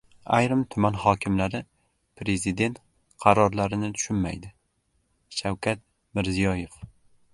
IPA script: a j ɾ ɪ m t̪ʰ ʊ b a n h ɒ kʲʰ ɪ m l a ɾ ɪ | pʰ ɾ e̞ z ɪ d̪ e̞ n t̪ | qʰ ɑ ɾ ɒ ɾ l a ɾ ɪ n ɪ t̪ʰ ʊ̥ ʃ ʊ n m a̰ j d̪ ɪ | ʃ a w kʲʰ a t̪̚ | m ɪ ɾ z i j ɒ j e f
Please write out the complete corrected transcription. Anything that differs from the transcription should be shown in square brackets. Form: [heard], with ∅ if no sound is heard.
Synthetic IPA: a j ɾ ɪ m t̪ʰ ʊ [m] a n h ɒ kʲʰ ɪ m l a ɾ ɪ | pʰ ɾ e̞ z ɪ d̪ e̞ n t̪ | qʰ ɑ ɾ ɒ ɾ l a ɾ ɪ n ɪ t̪ʰ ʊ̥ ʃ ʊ n m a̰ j d̪ ɪ | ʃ a w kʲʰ a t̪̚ | m ɪ ɾ z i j ɒ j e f